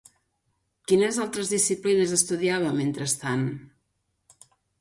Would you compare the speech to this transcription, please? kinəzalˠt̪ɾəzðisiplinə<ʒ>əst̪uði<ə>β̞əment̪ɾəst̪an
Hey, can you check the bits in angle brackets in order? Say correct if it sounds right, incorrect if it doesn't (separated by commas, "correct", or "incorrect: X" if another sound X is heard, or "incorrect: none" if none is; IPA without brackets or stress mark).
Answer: incorrect: z, incorrect: a